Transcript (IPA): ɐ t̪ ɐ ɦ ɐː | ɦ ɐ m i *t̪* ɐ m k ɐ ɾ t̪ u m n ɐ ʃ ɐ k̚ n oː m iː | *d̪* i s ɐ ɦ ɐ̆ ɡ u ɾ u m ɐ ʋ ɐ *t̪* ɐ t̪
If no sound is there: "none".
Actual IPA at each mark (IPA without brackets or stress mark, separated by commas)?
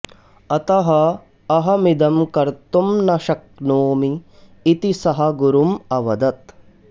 d̪, t̪, d̪